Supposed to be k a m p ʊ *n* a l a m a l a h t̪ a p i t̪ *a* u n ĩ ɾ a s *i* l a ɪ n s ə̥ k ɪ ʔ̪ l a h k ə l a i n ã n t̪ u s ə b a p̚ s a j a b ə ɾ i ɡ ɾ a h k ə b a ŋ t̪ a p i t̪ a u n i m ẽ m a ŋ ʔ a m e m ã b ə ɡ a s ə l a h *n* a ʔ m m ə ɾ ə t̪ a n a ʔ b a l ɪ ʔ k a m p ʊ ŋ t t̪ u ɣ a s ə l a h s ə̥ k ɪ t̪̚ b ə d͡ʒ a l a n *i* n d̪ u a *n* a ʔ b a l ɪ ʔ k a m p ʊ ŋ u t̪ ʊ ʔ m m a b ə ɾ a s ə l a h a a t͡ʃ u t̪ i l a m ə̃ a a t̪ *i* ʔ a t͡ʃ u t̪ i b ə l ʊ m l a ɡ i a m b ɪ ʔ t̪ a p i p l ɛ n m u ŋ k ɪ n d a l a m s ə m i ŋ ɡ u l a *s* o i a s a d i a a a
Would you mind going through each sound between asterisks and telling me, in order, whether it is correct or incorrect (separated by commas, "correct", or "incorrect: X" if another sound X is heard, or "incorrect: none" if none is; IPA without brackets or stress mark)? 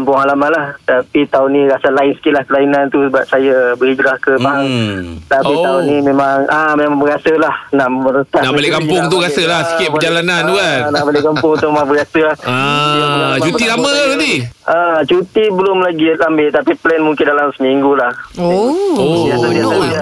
incorrect: ŋ, correct, incorrect: a, correct, incorrect: a, correct, correct, incorrect: h